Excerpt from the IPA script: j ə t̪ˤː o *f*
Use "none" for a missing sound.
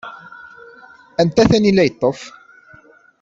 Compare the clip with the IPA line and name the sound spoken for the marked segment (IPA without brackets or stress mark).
f